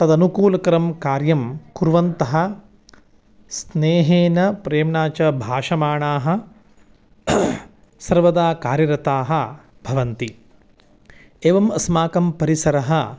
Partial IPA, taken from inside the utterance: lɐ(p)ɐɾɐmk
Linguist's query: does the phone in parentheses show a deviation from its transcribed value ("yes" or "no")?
yes